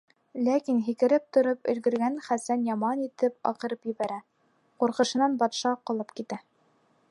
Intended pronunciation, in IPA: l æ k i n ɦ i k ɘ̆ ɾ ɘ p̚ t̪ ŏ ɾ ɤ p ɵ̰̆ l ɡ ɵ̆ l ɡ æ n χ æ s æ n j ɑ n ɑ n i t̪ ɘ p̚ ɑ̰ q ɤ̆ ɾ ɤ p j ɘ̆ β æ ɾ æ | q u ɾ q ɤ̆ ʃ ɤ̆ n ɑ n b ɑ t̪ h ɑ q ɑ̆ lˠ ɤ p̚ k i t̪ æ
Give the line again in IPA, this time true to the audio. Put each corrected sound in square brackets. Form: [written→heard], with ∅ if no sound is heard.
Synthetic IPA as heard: l æ k i n ɦ i k ɘ̆ ɾ ɘ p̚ t̪ ŏ ɾ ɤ p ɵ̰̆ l ɡ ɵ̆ [l→ɾ] ɡ æ n χ æ s æ n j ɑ [n→m] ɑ n i t̪ ɘ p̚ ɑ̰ q ɤ̆ ɾ ɤ p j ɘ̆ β æ ɾ æ | q u ɾ q ɤ̆ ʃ ɤ̆ n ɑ n b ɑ t̪ [h→ʃ] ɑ q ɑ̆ lˠ ɤ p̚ k i t̪ æ